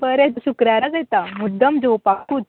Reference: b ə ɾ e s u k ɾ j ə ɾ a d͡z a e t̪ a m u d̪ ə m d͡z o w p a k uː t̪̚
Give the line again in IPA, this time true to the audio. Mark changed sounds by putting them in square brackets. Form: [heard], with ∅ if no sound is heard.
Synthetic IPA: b ə ɾ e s u k ɾ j [a] ɾ a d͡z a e t̪ a m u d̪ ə m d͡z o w p a k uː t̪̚